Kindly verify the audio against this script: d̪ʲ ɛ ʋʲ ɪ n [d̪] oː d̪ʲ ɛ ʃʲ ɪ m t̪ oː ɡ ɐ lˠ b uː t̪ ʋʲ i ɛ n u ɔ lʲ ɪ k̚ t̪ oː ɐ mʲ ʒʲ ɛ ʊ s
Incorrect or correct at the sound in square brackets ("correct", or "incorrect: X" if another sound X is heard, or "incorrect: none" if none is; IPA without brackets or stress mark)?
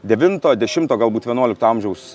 incorrect: t̪